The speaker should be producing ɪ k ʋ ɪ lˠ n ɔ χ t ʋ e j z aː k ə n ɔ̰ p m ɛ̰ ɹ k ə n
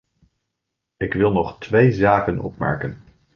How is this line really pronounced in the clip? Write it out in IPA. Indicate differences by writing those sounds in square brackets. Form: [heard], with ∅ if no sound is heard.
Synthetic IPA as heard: ɪ k ʋ ɪ lˠ n ɔ χ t ʋ e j z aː k ə n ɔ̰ p m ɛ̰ ɹ k ə n

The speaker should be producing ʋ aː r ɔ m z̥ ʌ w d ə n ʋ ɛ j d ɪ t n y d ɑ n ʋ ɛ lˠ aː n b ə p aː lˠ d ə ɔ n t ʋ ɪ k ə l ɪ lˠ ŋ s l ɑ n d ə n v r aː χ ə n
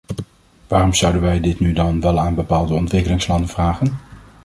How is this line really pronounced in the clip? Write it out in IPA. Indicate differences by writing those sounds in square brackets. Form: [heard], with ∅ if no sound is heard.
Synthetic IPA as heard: ʋ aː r ɔ m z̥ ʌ w d ə n ʋ ɛ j d ɪ t n y d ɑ n ʋ ɛ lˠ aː n b ə p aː lˠ d ə ɔ n t ʋ ɪ k ə l ɪ [∅] ŋ s l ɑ n d ə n v r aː χ ə n

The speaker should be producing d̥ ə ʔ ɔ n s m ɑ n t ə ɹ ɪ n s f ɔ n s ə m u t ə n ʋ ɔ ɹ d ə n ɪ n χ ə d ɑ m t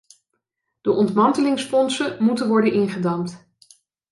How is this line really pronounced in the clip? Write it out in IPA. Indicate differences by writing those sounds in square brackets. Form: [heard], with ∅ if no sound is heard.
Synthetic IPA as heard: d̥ ə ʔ ɔ n [t] m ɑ n t ə [l] ɪ [ŋ] s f ɔ n s ə m u t ə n ʋ ɔ ɹ d ə n ɪ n χ ə d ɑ m t

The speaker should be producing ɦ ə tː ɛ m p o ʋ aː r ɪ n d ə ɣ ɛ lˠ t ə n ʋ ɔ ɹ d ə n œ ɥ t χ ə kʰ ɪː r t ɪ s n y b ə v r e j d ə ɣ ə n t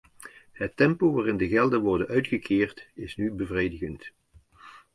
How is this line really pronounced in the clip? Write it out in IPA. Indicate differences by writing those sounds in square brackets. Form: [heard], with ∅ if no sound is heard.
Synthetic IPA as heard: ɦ ə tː ɛ m p o ʋ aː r ɪ n d ə ɣ ɛ lˠ [d] ə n ʋ ɔ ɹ d ə n œ ɥ t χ ə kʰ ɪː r t ɪ s n y b ə v r e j d ə ɣ ə n t

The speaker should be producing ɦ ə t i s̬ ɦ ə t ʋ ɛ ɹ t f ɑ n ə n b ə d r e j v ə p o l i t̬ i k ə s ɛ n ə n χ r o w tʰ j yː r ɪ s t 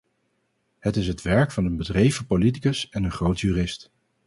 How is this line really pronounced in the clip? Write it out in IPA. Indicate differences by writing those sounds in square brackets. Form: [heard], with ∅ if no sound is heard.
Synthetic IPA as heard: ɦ ə t [ɪ] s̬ ɦ ə t ʋ ɛ ɹ [k] f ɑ n ə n b ə d r e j v ə p o l i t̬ i k ə s ɛ n ə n χ r o w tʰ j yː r ɪ s t

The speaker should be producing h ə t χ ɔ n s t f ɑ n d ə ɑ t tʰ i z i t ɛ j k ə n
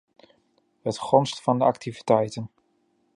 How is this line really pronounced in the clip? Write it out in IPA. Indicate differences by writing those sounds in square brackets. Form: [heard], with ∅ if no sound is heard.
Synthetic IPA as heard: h ə t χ ɔ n s t f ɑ n d ə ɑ [k] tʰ i [v] i t ɛ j [t] ə n

